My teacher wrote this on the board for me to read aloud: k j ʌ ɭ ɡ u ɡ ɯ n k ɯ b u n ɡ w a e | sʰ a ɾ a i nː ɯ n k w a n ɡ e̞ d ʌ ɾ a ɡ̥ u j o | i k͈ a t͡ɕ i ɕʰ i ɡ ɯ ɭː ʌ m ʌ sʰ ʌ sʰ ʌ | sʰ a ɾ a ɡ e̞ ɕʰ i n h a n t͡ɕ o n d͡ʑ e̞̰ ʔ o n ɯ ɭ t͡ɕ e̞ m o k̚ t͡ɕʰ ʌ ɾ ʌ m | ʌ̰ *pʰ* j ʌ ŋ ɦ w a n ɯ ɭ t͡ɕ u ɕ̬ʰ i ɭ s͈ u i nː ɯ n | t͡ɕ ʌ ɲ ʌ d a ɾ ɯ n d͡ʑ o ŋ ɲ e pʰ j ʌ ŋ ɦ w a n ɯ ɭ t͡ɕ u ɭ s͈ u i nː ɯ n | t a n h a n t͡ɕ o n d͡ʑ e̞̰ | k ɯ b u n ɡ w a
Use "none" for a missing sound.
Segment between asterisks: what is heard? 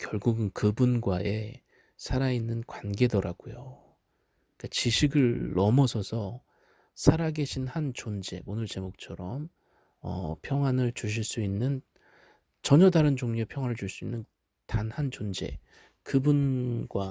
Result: pʰ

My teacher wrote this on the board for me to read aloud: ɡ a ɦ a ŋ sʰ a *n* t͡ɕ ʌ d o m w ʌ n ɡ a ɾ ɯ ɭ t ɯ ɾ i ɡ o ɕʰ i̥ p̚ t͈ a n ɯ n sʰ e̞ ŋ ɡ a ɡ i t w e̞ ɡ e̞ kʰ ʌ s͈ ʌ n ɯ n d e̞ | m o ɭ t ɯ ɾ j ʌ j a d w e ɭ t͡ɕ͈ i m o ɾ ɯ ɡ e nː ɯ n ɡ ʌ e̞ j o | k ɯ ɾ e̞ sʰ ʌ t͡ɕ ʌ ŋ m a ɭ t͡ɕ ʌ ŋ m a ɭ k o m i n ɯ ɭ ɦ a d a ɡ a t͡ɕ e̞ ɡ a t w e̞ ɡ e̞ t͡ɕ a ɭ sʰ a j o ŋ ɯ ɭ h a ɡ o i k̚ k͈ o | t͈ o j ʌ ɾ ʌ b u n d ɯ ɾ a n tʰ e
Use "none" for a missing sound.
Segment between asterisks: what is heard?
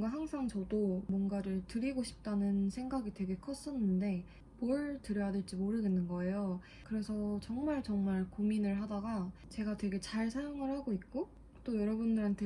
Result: ŋ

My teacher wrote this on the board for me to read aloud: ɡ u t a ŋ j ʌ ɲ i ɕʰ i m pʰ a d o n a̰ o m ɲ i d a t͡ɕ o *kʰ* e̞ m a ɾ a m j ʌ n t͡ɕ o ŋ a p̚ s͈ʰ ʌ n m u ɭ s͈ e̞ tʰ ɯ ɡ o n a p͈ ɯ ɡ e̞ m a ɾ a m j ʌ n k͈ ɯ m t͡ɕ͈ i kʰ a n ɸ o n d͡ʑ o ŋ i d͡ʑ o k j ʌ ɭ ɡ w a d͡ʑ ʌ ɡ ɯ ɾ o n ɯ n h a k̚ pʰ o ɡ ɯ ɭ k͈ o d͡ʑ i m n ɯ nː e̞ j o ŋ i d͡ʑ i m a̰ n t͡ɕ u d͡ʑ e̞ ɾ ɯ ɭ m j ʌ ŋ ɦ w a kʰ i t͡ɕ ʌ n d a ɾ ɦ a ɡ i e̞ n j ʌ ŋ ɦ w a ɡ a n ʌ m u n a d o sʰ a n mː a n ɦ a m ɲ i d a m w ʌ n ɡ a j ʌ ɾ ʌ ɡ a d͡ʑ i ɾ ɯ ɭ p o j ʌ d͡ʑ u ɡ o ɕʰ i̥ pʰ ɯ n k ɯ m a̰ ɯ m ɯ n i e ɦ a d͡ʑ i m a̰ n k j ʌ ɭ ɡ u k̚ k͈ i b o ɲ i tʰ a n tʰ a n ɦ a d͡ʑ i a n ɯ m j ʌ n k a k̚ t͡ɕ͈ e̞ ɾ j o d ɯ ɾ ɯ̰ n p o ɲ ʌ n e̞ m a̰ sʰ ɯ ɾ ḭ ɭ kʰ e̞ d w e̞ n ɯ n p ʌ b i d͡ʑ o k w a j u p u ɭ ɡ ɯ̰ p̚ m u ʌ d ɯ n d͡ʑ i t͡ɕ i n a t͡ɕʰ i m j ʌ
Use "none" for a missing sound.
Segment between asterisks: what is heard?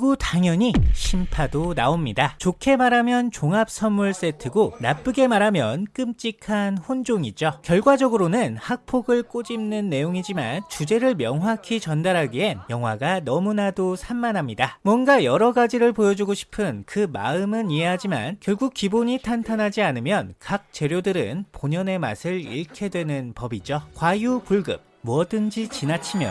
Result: kʰ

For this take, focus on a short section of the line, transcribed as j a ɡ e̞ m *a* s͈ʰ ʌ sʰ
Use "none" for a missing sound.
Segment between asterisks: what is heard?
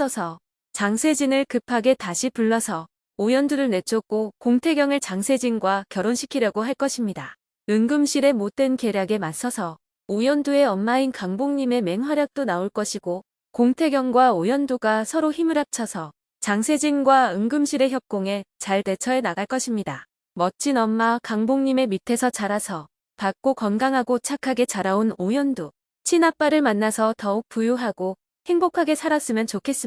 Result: a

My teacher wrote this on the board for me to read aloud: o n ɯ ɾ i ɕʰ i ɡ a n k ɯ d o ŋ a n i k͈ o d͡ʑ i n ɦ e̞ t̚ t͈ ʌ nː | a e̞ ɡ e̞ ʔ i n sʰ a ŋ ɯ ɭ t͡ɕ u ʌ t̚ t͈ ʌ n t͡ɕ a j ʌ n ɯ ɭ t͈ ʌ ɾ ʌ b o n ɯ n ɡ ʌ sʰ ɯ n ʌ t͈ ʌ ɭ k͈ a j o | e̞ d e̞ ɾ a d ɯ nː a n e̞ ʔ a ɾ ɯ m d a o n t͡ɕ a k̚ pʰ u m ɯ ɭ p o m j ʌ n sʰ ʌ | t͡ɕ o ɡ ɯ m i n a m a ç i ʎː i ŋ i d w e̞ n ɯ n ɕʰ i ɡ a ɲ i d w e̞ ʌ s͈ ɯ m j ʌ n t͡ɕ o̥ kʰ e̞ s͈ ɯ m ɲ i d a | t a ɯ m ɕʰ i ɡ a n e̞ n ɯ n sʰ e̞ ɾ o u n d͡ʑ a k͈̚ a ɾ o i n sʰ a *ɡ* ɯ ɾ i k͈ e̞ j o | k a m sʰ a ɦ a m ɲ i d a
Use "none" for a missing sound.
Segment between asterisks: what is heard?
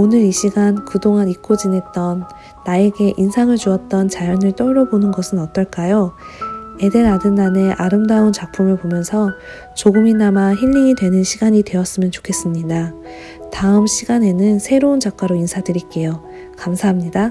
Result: d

